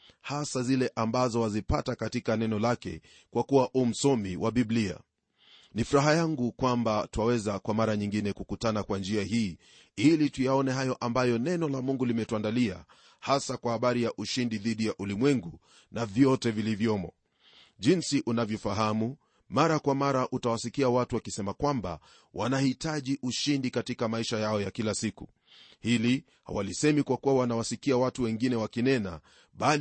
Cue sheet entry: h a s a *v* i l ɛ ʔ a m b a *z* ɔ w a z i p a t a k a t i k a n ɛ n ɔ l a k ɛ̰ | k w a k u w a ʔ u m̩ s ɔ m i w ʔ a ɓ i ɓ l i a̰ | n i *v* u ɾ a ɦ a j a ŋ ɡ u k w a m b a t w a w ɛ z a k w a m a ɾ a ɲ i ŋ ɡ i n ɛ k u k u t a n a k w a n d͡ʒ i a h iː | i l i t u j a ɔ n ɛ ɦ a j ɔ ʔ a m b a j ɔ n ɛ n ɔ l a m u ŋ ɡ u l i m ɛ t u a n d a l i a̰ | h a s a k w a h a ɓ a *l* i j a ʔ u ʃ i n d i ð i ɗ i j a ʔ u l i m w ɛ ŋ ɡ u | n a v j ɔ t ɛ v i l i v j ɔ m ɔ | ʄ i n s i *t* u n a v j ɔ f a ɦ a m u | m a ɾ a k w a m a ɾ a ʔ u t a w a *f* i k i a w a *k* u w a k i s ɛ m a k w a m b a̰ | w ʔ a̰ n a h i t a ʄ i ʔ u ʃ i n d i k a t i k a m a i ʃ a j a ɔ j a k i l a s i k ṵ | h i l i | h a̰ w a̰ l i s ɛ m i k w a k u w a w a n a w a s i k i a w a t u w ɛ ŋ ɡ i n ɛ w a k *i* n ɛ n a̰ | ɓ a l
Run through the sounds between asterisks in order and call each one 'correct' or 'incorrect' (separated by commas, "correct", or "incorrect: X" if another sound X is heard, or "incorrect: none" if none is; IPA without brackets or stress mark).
incorrect: z, correct, incorrect: f, incorrect: ɾ, incorrect: ʔ, incorrect: s, incorrect: t, correct